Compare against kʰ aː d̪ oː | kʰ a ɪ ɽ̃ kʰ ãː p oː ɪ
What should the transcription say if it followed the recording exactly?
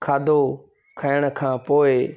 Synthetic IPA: kʰ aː d̪ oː | kʰ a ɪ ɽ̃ kʰ ãː p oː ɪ